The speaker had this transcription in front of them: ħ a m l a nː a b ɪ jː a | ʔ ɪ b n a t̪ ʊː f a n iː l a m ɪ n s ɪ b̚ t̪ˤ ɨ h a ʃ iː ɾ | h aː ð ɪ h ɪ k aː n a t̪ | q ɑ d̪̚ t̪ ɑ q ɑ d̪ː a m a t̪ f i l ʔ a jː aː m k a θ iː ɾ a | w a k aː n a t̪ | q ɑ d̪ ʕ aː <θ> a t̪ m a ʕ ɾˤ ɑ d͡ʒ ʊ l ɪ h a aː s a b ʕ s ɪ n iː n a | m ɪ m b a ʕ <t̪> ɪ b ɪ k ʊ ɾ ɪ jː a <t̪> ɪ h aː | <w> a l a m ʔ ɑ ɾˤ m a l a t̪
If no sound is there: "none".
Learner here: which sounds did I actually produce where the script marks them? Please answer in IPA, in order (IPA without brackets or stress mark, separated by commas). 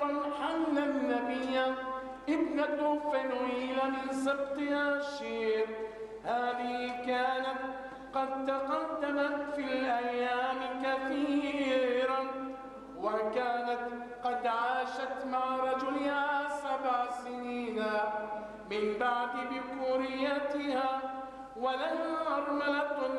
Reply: ʃ, d̪, t̪, w